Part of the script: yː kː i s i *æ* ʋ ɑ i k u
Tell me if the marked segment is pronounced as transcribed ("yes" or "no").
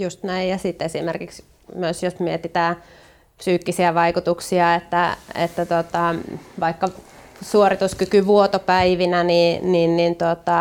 yes